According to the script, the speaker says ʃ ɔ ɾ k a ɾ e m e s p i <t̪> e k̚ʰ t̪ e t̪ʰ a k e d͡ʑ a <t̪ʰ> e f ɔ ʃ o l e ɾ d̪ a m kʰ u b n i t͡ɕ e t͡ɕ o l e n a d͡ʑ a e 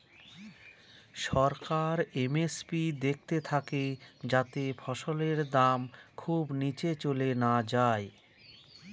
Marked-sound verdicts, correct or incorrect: incorrect: d̪, incorrect: t̪

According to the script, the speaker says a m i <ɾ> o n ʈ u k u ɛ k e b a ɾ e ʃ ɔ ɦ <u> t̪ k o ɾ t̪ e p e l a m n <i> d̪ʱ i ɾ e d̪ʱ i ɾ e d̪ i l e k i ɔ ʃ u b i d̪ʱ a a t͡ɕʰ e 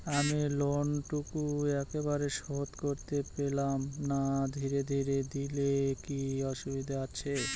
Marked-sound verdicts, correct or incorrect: incorrect: l, incorrect: o, incorrect: a

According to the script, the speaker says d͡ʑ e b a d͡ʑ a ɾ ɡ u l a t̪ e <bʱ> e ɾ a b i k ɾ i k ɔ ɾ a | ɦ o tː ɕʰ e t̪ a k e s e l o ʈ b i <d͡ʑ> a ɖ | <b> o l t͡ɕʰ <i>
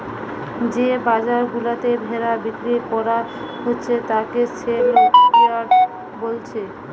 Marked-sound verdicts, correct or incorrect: correct, incorrect: none, correct, incorrect: e

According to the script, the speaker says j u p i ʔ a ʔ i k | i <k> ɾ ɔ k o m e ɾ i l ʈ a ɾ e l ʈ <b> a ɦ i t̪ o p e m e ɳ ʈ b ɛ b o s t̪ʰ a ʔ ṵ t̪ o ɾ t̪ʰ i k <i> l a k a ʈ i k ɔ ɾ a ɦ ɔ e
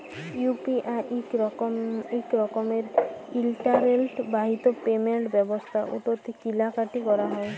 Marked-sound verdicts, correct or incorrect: correct, correct, correct

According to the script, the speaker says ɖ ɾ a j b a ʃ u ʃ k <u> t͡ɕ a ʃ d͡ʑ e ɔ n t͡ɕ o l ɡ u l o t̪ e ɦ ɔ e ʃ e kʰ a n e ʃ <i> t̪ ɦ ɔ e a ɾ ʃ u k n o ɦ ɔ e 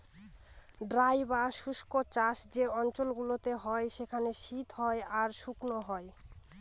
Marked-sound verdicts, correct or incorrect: incorrect: o, correct

